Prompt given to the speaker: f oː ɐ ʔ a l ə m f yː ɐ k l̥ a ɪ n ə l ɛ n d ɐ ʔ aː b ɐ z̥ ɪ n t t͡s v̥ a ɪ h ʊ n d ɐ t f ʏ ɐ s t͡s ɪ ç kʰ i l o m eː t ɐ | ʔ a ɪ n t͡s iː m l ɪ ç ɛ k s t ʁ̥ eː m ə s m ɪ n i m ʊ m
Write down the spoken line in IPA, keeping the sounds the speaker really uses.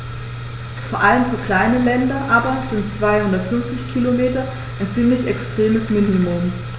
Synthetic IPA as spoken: f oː ɐ ʔ a l ə m f yː ɐ k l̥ a ɪ n ə l ɛ n d ɐ ʔ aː b ɐ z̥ ɪ n t t͡s v̥ a ɪ h ʊ n d ɐ t f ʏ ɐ f t͡s ɪ ç kʰ i l o m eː t ɐ | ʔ a ɪ n t͡s iː m l ɪ ç ɛ k s t ʁ̥ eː m ə s m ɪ n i m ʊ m